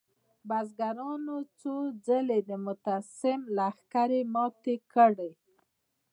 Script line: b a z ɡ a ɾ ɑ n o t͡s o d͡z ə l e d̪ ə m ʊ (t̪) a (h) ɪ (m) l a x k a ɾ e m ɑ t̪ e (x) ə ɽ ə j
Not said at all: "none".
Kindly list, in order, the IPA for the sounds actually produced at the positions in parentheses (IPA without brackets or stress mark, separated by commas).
t̪, s, m, k